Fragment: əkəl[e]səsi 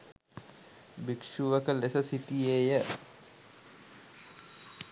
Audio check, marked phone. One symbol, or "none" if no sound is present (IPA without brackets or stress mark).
e